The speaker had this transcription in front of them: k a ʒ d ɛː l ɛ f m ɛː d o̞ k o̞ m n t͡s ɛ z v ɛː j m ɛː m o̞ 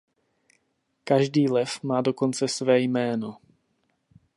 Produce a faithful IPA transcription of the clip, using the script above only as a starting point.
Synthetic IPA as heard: k a ʒ d iː l ɛ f m aː d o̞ k o̞ n t͡s ɛ s v ɛː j m ɛː n o̞